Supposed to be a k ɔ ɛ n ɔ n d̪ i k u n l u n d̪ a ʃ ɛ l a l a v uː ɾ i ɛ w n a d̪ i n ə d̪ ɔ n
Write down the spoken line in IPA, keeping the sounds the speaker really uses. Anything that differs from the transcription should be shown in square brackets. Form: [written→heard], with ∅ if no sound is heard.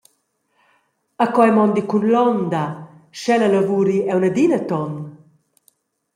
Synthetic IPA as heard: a k ɔ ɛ [n→m] ɔ n d̪ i k u n l [u→ɔ] n d̪ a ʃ ɛ l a l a v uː ɾ i ɛ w n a d̪ i n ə [d̪→t̪] ɔ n